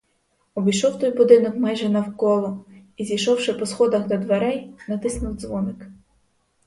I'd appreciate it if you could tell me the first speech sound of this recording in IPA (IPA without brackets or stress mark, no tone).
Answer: ɔ